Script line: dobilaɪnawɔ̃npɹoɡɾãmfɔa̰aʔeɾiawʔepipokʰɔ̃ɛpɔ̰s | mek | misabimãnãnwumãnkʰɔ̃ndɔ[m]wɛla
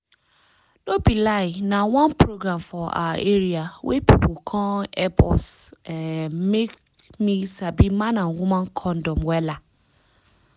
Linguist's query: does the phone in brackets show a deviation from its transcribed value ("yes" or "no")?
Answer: no